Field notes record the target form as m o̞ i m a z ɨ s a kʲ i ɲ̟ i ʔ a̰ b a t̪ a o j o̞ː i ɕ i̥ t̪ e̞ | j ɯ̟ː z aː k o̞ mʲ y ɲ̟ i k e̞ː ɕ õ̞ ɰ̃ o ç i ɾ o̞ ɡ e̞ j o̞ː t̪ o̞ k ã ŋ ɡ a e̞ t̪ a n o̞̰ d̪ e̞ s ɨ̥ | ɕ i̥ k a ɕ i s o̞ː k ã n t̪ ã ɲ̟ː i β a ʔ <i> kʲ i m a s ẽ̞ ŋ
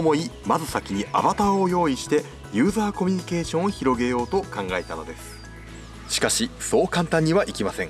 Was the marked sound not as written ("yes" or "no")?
no